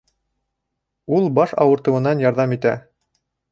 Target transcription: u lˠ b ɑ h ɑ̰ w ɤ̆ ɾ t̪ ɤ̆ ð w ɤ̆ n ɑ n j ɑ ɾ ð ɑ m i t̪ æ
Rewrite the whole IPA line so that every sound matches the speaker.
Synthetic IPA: u lˠ b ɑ ʃ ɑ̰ w ɤ̆ ɾ t̪ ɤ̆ w ɤ̆ n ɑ n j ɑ ɾ ð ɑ m i t̪ æ